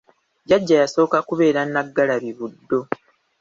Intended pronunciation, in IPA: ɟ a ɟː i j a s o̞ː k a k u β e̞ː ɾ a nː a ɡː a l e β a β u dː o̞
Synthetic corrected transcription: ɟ a ɟː a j a s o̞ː k a k u β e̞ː ɾ a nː a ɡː a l a β i β u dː o̞